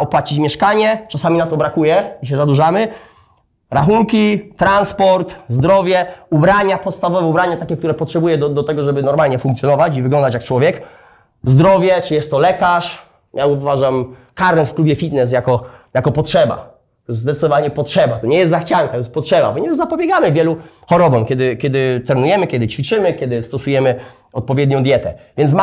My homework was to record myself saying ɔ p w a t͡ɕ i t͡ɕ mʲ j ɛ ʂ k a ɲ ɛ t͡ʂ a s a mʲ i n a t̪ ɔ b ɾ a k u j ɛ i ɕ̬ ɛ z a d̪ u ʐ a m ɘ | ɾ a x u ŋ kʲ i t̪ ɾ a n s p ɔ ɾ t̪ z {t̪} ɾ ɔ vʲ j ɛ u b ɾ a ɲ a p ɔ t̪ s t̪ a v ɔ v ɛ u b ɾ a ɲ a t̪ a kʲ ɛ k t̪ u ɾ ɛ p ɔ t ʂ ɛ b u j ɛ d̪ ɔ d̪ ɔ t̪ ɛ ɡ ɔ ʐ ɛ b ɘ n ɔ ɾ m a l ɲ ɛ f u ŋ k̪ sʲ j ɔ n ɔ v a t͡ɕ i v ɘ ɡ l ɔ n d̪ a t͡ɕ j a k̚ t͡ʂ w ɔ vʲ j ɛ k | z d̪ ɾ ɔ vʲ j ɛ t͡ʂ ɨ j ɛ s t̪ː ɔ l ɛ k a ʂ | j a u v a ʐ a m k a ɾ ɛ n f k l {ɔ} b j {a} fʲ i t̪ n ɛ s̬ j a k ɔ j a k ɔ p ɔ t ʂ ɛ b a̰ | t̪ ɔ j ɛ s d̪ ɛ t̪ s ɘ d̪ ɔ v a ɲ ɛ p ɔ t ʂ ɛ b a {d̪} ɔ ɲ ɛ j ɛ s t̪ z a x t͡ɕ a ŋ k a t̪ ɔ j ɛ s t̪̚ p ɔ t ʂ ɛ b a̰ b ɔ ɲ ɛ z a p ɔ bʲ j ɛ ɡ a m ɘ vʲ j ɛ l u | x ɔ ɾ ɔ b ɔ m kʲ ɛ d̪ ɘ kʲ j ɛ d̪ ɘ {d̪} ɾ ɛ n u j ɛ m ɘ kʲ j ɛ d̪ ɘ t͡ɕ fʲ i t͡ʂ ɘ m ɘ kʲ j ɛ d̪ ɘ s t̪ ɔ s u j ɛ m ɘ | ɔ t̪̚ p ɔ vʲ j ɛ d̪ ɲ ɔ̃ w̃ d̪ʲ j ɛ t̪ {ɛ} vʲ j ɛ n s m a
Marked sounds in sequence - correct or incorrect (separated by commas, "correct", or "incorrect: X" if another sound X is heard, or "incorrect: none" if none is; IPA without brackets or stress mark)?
incorrect: d̪, incorrect: u, incorrect: ɛ, incorrect: t̪, incorrect: t̪, correct